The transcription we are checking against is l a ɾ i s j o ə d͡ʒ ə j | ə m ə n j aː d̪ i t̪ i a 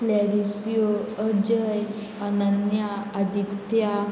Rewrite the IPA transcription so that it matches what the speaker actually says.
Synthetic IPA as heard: l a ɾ i s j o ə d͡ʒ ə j | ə n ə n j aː d̪ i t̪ j a